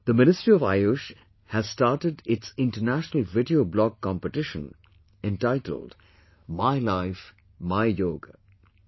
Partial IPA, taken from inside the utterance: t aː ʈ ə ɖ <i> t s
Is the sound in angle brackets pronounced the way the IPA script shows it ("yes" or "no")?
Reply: no